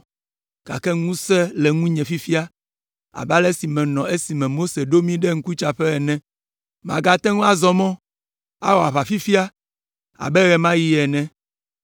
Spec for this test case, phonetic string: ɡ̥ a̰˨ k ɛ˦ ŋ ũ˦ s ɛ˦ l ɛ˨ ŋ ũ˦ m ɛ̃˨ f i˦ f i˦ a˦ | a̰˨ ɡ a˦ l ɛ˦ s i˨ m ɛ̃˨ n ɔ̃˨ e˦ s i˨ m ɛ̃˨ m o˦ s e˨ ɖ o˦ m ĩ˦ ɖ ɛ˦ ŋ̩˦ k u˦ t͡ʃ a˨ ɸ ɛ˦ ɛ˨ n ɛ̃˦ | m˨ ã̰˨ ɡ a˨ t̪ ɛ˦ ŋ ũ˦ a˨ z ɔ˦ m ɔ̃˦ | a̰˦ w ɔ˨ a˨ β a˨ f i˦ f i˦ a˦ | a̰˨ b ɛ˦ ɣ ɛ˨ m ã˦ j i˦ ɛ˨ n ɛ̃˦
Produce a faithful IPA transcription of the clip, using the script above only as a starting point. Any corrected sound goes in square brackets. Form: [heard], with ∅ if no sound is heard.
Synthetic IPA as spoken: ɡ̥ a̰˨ k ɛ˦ ŋ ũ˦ s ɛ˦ l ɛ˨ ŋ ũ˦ [ɲ] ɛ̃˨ f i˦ f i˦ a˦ | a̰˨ [b] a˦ l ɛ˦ s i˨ m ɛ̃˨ n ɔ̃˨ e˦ s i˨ m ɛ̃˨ m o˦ s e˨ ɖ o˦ m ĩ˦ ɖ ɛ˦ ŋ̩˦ k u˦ t͡ʃ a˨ ɸ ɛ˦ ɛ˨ n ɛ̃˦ | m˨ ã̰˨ ɡ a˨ t̪ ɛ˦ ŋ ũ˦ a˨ z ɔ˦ m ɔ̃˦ | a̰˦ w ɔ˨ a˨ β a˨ f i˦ f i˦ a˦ | a̰˨ b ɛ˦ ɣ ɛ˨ m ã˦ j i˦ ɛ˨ n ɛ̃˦

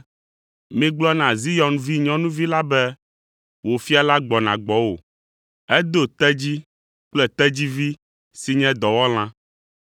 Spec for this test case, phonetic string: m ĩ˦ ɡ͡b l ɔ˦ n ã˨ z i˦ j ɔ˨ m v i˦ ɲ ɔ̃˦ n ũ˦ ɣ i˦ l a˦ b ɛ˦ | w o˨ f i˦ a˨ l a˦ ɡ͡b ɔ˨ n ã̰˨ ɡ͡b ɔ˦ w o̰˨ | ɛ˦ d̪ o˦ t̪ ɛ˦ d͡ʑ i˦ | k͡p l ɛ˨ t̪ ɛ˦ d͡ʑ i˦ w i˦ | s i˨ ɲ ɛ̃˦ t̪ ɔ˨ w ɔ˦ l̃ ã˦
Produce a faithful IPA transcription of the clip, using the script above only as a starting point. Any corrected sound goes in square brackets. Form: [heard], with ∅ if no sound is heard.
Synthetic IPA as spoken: m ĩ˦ ɡ͡b l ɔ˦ n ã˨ z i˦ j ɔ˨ [n] v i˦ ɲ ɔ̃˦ n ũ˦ [v] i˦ l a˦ b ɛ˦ | w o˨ f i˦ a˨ l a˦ ɡ͡b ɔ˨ n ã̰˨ ɡ͡b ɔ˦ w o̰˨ | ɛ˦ d̪ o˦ t̪ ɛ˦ d͡ʑ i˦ | k͡p l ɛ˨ t̪ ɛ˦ d͡ʑ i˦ [v] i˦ | s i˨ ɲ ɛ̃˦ [d̪] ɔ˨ w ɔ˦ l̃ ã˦

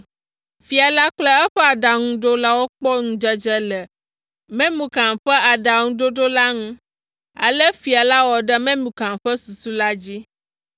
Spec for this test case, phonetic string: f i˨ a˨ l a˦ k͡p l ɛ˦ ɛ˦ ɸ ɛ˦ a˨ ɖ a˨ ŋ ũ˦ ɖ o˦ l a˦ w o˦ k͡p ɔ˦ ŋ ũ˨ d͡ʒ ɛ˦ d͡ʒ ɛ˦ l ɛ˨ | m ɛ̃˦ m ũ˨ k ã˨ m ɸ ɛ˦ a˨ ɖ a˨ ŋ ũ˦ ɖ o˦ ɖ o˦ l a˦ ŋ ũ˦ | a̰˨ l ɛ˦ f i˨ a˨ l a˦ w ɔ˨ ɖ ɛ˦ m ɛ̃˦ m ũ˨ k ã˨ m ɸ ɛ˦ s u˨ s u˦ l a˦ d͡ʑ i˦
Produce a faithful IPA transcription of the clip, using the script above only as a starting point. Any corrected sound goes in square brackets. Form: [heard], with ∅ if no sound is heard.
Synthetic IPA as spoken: f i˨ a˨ l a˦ k͡p l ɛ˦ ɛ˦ ɸ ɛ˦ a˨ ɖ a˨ ŋ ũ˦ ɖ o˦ l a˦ w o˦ k͡p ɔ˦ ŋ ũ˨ d͡ʒ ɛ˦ d͡ʒ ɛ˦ l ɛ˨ | m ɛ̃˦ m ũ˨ k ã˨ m ɸ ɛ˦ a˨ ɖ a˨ ŋ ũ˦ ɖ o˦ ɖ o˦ l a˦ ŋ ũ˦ | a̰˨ l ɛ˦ f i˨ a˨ l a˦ w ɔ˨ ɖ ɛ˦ m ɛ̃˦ m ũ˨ k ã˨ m ɸ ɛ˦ s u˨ s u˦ l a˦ d͡ʑ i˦

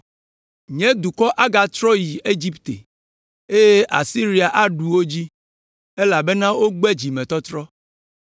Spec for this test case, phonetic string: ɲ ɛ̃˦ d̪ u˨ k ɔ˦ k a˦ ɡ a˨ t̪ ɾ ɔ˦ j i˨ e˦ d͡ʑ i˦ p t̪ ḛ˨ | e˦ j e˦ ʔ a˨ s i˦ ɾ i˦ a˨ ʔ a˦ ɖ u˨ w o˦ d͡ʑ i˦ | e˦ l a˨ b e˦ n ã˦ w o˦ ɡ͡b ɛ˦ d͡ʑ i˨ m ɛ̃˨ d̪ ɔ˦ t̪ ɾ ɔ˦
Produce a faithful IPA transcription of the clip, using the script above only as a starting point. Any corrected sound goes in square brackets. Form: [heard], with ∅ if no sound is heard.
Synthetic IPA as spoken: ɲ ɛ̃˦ d̪ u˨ k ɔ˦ [ʔ] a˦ ɡ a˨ t̪ ɾ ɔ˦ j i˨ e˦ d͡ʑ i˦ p t̪ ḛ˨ | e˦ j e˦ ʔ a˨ s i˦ ɾ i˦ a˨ ʔ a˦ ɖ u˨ w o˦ d͡ʑ i˦ | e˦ l a˨ b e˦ n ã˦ w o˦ ɡ͡b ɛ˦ d͡ʑ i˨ m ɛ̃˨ [t̪] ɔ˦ t̪ ɾ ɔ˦

